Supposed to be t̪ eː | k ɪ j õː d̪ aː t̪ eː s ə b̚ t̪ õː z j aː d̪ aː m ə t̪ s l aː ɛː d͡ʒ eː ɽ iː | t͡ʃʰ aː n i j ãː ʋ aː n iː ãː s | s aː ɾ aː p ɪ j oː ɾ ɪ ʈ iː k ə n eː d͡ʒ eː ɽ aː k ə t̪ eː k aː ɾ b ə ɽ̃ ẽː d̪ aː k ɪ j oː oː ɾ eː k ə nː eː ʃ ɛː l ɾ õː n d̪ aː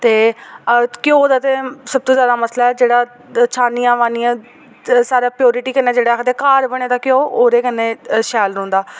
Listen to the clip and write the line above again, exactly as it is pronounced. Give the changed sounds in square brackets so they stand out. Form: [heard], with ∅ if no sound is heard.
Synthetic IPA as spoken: t̪ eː | k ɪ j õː d̪ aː t̪ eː s ə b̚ t̪ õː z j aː d̪ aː m ə [∅] s l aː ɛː d͡ʒ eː ɽ [aː] | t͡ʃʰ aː n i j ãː ʋ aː n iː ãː [∅] | s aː ɾ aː p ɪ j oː ɾ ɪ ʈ iː k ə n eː d͡ʒ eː ɽ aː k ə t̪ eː k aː ɾ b ə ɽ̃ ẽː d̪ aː k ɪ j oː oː ɾ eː k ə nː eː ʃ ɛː l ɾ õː n d̪ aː